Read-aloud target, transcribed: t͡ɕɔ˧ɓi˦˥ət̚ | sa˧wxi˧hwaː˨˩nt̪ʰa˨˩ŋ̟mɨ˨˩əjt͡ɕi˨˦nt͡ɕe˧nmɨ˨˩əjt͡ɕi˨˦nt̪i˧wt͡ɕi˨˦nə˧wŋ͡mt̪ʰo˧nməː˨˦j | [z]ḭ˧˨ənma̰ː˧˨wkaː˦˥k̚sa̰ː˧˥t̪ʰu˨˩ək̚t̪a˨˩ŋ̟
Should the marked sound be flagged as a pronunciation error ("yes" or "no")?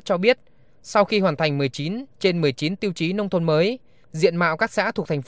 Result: no